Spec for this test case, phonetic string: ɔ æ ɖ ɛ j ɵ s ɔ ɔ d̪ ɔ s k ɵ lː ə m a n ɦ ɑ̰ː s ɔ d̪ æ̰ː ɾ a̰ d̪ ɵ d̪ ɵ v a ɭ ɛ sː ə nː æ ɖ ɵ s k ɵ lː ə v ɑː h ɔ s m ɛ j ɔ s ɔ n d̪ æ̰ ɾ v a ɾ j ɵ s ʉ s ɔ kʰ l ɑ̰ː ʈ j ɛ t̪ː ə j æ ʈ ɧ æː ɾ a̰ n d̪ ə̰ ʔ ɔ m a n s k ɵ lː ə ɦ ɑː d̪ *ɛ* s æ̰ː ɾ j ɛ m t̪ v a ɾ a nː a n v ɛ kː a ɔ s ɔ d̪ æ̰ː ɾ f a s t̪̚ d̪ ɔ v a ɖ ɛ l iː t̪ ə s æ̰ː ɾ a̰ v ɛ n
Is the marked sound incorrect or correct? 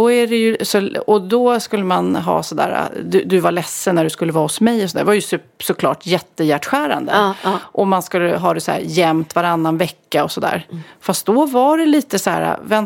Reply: correct